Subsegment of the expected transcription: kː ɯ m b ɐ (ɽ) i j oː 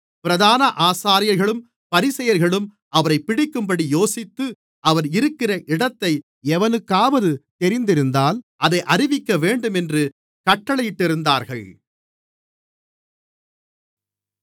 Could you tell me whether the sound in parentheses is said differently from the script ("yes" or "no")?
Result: no